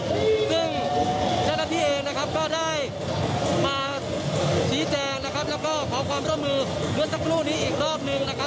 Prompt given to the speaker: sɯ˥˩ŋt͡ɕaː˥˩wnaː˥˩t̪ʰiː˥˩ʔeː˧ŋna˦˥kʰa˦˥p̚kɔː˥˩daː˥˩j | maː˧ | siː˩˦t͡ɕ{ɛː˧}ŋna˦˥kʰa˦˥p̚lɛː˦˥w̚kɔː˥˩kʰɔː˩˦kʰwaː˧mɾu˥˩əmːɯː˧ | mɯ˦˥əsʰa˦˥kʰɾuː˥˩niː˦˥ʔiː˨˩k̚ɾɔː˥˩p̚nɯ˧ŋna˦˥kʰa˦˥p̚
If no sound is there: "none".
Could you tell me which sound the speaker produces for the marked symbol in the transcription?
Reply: ɛː˧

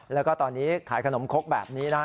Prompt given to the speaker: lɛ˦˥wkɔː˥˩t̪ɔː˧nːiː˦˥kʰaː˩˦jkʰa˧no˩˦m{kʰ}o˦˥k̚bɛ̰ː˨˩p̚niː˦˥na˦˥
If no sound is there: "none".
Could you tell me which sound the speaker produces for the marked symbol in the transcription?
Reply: kʰ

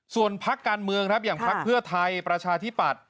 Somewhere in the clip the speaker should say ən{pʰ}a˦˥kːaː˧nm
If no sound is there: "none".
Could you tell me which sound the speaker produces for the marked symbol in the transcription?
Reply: pʰ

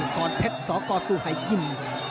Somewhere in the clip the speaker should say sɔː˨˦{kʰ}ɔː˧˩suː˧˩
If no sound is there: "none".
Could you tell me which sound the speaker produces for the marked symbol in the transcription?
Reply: k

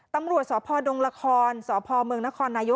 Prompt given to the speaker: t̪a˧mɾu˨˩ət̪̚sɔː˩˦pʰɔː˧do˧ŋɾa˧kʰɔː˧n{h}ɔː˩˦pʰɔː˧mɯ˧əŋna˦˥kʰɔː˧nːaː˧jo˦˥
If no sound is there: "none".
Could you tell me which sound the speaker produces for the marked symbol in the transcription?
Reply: s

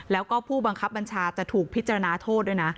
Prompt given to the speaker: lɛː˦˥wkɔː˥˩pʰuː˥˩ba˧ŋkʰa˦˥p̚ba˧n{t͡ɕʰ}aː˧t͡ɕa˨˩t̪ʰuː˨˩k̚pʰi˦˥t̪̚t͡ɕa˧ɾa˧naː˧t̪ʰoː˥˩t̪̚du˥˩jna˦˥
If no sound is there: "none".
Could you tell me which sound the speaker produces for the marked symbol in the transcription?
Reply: t͡ɕʰ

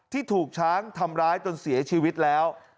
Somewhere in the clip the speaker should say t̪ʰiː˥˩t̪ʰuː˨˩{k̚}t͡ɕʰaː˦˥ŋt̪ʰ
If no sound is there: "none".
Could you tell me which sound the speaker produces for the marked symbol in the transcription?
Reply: k̚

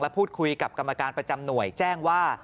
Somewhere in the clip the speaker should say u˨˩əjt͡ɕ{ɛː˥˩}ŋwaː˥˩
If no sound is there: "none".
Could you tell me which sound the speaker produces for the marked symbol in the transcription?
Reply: ɛː˥˩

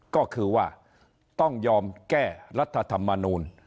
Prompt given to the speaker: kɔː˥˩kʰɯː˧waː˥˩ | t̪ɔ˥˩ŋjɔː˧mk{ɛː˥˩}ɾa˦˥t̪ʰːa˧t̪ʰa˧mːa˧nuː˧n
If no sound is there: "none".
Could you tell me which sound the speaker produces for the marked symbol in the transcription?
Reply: ɛː˥˩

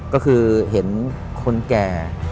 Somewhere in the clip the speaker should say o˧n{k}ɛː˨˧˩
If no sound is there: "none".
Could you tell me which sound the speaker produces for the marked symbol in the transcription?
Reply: k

